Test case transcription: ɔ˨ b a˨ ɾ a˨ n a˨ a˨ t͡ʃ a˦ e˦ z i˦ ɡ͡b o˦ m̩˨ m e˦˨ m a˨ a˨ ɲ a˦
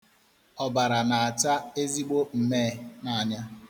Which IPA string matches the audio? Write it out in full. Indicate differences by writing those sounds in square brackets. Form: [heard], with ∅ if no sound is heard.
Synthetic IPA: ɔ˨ b a˨ ɾ a˨ n a˨ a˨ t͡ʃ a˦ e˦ z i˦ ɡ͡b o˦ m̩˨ m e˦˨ [n] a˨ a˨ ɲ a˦